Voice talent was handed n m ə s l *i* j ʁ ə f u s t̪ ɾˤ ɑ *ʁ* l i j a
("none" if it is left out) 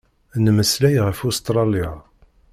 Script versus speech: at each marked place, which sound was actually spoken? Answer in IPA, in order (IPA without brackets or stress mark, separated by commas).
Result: æ, none